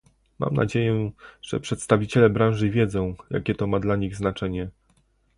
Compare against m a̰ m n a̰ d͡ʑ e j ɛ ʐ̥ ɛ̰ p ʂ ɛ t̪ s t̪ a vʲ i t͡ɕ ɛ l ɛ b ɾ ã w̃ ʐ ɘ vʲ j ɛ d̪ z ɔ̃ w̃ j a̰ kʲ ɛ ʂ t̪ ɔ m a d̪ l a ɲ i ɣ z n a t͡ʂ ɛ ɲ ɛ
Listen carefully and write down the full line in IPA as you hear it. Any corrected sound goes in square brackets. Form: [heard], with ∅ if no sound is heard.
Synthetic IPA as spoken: m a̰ m n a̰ d͡ʑ e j ɛ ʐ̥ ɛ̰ p ʂ ɛ t̪ s t̪ a vʲ i t͡ɕ ɛ l ɛ b ɾ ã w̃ ʐ ɘ vʲ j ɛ d̪ z ɔ̃ w̃ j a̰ kʲ ɛ [∅] t̪ ɔ m a d̪ l a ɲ i ɣ z n a t͡ʂ ɛ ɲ ɛ